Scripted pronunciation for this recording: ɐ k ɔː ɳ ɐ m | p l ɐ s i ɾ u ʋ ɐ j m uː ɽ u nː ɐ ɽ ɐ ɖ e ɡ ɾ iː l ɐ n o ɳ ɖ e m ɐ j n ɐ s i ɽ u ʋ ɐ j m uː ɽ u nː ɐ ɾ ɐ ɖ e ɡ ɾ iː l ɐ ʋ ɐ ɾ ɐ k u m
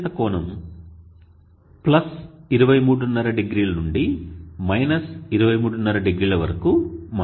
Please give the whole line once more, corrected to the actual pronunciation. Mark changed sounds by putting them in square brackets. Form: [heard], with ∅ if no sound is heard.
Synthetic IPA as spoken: ɐ k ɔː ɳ ɐ m | p l ɐ s i ɾ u ʋ ɐ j m uː ɽ u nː ɐ [ɾ] ɐ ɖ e ɡ ɾ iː l ɐ n [u] ɳ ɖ [i] m ɐ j n ɐ s i [ɾ] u ʋ ɐ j m uː ɽ u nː ɐ ɾ ɐ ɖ e ɡ ɾ iː l ɐ ʋ ɐ ɾ ɐ k u m